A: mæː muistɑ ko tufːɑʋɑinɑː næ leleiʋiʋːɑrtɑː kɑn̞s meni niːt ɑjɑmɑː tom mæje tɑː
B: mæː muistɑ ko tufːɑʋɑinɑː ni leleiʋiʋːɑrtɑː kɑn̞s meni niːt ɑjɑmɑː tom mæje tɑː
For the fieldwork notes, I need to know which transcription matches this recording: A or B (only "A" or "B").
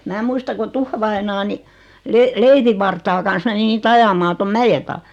B